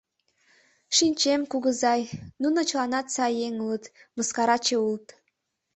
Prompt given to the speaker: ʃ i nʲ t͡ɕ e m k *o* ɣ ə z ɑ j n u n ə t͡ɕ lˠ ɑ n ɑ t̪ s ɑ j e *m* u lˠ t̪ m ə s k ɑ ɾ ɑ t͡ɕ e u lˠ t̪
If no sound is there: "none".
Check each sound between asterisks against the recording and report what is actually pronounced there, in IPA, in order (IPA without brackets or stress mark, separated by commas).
u, ŋ